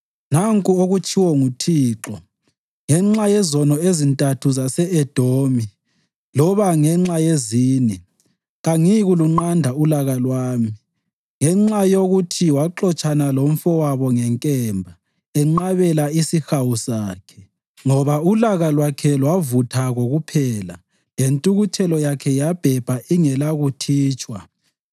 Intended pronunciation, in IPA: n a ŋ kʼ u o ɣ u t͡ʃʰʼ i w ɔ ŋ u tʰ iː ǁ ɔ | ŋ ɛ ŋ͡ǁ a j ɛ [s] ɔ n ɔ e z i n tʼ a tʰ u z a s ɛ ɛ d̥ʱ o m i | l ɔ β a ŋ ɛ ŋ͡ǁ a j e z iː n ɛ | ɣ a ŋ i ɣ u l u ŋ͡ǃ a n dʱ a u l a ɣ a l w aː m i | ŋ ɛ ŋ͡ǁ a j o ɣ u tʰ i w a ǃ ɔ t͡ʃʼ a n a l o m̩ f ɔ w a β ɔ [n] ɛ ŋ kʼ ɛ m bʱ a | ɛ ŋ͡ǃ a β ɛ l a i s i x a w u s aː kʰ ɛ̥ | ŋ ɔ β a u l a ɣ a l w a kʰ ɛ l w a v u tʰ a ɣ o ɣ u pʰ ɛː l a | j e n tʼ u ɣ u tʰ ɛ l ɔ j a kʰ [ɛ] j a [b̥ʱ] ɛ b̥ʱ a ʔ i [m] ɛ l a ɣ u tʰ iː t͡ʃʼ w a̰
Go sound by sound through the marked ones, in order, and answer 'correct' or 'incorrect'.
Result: incorrect: z, incorrect: ŋ, correct, correct, incorrect: ŋ

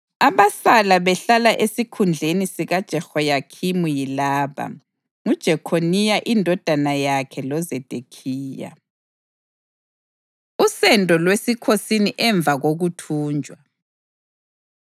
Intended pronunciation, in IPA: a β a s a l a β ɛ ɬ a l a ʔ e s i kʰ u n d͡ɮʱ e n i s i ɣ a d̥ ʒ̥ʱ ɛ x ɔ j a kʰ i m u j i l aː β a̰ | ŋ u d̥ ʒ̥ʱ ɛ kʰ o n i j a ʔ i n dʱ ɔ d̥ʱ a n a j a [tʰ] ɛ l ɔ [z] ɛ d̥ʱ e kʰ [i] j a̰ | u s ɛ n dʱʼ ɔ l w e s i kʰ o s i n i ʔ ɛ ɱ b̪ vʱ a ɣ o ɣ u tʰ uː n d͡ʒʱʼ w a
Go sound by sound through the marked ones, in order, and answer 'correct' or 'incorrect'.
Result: incorrect: kʰ, correct, incorrect: iː

